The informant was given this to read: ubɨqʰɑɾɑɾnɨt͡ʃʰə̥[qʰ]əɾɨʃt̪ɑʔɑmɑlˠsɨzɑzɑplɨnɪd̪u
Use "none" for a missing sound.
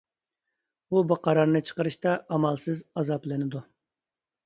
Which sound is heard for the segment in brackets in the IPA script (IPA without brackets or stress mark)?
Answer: q